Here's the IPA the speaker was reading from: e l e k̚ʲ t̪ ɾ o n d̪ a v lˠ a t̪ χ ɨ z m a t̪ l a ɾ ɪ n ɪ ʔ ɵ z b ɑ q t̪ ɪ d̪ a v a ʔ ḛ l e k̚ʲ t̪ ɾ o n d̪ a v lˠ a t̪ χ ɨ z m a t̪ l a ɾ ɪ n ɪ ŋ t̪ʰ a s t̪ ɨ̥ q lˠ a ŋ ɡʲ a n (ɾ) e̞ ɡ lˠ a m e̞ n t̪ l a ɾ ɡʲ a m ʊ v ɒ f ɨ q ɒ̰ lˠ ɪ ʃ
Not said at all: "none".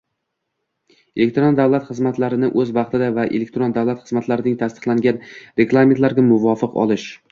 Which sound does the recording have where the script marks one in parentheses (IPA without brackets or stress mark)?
ɾ